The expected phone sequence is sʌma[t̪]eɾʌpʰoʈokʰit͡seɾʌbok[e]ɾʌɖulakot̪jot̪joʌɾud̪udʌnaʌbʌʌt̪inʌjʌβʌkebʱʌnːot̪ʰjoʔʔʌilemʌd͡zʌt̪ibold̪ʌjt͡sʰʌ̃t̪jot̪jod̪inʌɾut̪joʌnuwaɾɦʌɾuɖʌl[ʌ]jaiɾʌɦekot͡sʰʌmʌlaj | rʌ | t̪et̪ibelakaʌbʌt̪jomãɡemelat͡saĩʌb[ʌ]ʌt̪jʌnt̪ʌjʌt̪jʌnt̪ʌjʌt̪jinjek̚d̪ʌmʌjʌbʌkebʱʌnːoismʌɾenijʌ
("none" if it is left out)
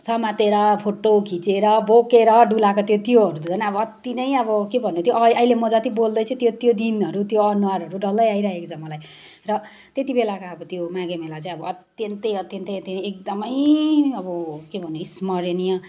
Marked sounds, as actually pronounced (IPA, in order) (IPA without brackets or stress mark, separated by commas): t̪, e, ʌ, ʌ